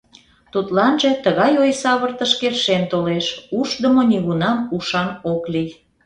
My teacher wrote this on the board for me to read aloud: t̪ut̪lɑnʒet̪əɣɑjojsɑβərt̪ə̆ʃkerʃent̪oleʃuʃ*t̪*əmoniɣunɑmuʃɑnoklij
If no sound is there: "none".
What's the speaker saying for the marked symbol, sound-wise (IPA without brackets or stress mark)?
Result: d̪